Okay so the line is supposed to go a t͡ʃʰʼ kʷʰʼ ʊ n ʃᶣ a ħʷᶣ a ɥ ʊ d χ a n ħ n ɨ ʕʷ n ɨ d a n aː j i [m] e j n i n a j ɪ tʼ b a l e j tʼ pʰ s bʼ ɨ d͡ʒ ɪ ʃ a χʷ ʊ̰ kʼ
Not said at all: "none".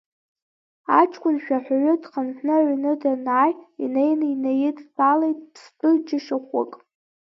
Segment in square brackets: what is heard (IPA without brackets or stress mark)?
n